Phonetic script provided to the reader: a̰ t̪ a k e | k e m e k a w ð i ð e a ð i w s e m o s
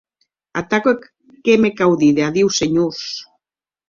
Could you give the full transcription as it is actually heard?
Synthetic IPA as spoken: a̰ t̪ a k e | k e m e k a w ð i ð e a ð i w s e ɲ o s